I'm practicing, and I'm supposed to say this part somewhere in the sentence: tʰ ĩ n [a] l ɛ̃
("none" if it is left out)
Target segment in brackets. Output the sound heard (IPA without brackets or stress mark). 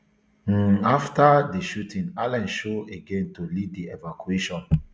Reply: a